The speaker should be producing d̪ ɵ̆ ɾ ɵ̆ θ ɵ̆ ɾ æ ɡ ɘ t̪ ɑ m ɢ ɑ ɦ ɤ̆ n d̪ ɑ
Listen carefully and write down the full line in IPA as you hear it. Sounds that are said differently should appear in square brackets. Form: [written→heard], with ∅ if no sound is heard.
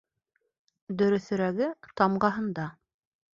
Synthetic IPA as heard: d̪ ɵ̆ ɾ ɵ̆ θ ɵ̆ ɾ æ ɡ ɘ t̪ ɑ m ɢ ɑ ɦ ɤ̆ n d̪ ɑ

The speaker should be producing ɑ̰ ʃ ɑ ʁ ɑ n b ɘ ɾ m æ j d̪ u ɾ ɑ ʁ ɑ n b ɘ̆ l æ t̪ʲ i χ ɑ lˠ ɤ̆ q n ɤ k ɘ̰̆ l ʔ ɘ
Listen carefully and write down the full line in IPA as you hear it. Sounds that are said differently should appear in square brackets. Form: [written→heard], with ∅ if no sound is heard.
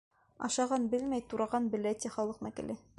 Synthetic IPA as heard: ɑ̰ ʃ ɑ ʁ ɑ n b ɘ [ɾ→l] m æ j [d̪→t̪] u ɾ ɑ ʁ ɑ n b ɘ̆ l æ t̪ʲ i χ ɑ lˠ ɤ̆ q n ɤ k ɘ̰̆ l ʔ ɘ

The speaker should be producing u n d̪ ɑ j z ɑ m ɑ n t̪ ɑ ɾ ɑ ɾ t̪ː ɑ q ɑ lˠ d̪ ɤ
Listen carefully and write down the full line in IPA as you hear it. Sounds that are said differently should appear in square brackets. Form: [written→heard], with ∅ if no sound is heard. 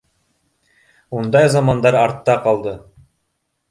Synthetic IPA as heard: u n d̪ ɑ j z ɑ m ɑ n [t̪→d̪] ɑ ɾ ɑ ɾ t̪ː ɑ q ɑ lˠ d̪ ɤ

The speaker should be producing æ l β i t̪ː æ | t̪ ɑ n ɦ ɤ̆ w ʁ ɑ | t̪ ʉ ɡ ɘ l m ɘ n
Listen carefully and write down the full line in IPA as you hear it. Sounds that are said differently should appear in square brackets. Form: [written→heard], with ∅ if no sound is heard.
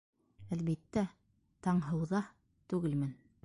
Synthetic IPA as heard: æ l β i t̪ː æ | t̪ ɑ [n→ɴ] ɦ ɤ̆ w [ʁ→ð] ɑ | t̪ ʉ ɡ ɘ l m ɘ n

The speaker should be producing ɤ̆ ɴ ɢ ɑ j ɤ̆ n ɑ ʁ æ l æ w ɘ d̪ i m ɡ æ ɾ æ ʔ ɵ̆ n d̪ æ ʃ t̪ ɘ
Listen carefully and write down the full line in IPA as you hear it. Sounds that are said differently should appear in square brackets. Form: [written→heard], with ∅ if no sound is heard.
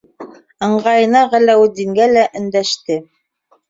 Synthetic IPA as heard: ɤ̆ ɴ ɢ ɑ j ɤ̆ n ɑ ʁ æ l æ w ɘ d̪ i [m→ŋ] ɡ æ [ɾ→l] æ ʔ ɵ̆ n d̪ æ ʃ t̪ ɘ

